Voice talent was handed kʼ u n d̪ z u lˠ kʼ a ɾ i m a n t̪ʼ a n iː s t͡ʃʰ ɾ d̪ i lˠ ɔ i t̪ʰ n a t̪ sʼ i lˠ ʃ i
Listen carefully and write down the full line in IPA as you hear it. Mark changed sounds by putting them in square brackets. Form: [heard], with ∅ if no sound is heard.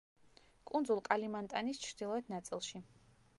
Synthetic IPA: kʼ u n d̪ z u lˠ kʼ a [l] i m a n t̪ʼ a n [i] s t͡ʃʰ ɾ d̪ i lˠ ɔ [ɛ] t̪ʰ n a t̪ sʼ i lˠ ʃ i